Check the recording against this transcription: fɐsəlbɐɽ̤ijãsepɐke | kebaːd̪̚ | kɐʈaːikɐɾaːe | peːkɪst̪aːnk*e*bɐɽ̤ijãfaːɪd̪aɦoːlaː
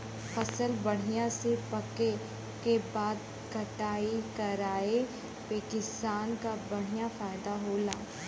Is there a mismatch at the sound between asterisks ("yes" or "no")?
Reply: yes